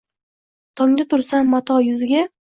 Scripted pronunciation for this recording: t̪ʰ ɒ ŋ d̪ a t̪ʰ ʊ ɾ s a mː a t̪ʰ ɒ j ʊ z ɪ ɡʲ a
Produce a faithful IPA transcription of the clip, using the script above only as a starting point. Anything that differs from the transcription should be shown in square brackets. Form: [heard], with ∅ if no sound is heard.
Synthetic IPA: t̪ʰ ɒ ŋ d̪ a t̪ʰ ʊ ɾ s a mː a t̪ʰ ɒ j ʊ z ɪ ɡʲ a